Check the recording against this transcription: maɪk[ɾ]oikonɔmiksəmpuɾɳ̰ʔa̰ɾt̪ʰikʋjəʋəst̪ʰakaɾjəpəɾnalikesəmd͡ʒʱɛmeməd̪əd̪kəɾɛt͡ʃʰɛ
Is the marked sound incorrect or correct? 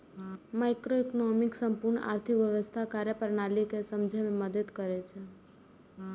correct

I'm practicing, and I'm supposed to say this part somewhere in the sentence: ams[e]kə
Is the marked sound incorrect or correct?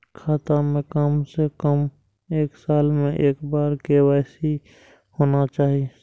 correct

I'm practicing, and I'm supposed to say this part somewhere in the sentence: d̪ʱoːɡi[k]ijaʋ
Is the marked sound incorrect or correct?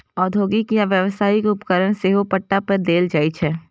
correct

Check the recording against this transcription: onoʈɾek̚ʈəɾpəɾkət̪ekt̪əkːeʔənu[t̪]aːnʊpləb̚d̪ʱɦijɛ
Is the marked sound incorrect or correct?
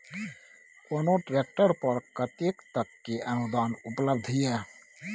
incorrect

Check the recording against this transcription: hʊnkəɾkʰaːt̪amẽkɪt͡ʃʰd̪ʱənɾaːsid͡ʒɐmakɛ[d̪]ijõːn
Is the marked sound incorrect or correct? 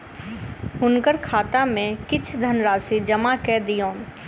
correct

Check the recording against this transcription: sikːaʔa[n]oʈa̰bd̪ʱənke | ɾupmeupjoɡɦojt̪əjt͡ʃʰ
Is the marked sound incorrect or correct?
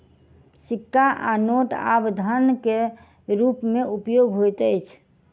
correct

